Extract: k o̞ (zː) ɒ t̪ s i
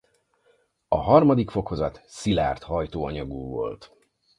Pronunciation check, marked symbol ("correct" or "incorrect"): incorrect